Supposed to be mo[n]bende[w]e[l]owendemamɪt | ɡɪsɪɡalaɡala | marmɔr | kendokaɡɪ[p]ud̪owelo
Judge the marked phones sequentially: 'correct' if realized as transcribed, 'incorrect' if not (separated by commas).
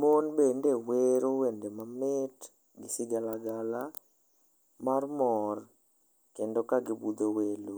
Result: correct, correct, incorrect, incorrect